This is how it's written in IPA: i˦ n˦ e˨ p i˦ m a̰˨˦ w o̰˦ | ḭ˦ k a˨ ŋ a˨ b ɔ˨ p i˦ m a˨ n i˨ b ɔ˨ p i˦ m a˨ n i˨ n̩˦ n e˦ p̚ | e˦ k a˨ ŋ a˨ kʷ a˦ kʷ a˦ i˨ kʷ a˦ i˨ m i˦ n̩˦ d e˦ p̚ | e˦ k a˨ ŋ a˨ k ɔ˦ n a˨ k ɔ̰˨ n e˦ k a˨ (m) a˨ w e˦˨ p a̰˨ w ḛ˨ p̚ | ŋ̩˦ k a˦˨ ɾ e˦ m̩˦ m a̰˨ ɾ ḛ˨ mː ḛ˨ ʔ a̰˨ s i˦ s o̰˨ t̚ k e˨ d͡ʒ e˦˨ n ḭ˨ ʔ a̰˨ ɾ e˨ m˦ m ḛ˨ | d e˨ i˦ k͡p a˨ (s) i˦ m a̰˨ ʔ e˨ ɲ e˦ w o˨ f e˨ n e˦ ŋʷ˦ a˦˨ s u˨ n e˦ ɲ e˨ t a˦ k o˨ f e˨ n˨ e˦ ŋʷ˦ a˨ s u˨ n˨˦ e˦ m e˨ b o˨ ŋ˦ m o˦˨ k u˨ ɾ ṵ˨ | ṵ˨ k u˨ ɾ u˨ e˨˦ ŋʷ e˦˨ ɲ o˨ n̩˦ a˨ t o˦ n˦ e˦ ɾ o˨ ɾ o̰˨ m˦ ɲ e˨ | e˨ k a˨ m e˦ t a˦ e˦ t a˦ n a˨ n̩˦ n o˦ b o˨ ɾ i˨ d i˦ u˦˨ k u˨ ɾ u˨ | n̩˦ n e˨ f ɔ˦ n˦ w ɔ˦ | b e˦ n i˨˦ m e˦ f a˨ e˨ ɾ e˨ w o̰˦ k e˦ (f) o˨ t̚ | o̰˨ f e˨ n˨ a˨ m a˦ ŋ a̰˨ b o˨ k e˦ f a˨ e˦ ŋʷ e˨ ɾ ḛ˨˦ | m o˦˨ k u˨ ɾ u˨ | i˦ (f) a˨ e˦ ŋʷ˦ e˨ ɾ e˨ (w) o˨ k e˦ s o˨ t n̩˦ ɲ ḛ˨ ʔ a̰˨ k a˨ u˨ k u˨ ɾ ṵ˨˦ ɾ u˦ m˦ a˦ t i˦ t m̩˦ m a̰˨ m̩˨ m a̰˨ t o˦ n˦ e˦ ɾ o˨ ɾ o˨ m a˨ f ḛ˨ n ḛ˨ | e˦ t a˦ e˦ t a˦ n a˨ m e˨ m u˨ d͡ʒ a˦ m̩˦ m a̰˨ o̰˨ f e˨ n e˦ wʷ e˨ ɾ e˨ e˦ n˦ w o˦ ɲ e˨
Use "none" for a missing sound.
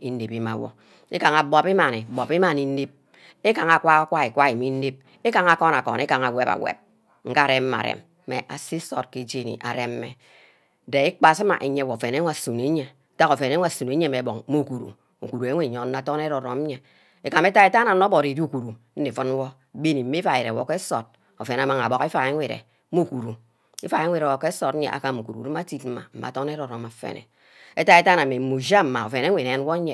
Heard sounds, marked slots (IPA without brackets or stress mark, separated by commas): ŋ, s, s, f, w